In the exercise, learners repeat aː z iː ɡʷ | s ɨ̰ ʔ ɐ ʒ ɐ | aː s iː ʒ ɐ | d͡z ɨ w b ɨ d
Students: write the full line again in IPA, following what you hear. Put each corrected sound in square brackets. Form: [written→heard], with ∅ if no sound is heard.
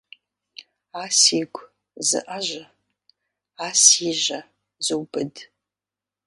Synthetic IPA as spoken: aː [z→s] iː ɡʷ | [s→z] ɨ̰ ʔ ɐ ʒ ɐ | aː s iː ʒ ɐ | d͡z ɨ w b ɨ d